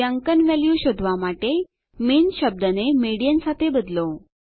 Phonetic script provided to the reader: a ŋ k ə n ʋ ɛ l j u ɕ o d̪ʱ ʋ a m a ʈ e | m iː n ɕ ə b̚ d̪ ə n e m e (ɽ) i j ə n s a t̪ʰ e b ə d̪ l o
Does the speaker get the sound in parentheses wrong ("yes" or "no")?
no